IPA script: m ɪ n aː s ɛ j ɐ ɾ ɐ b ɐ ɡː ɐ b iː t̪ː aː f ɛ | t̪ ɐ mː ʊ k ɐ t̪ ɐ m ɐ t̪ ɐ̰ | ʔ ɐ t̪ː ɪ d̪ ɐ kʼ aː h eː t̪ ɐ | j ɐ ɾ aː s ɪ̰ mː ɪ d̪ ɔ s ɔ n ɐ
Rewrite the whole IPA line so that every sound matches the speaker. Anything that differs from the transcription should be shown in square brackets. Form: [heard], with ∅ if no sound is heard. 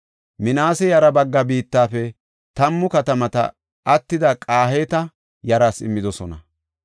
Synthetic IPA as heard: m ɪ n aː s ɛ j ɐ ɾ ɐ b ɐ ɡː ɐ b iː t̪ː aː f ɛ | t̪ ɐ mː ʊ k ɐ t̪ ɐ m ɐ t̪ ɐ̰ | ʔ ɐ t̪ː ɪ d̪ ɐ kʼ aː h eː t̪ ɐ | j ɐ ɾ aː s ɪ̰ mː ɪ d̪ ɔ s ɔ n ɐ